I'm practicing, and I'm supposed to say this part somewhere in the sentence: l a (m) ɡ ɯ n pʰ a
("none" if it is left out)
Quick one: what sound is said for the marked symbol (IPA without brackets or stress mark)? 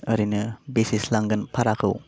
ŋ